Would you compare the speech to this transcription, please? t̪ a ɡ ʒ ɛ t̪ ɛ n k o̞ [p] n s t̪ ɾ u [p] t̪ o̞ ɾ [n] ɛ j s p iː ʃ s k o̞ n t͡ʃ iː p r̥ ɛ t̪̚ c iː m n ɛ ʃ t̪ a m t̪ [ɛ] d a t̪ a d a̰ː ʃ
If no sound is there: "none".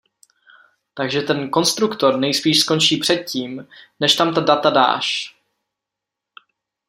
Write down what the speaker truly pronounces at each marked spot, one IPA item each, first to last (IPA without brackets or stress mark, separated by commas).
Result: none, k, n, a